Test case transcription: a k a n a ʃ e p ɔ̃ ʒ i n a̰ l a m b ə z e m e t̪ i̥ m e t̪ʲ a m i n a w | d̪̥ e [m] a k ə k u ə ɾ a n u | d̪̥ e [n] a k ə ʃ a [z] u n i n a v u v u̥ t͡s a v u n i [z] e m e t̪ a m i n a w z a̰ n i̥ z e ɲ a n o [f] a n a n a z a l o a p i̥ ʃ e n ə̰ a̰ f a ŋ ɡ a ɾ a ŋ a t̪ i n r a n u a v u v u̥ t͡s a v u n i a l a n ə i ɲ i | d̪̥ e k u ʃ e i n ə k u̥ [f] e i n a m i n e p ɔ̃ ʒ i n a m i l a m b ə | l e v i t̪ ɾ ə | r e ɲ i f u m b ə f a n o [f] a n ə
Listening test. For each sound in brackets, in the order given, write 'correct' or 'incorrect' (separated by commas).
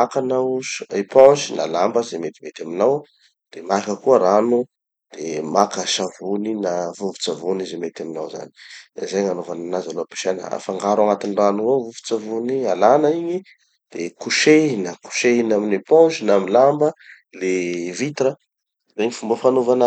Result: correct, incorrect, incorrect, correct, incorrect, incorrect, incorrect